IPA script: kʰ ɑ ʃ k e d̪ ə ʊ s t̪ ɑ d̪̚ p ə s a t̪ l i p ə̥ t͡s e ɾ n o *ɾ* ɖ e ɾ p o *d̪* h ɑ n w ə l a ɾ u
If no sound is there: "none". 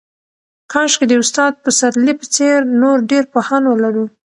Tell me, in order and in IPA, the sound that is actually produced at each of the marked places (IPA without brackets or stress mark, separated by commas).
ɾ, none